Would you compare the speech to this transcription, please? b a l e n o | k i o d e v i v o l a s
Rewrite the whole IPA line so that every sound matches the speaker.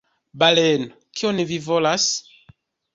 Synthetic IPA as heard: b a l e n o | k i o n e v i v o l a s